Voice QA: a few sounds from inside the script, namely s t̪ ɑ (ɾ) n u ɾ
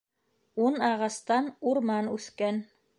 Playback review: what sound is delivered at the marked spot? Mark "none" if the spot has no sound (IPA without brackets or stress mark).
none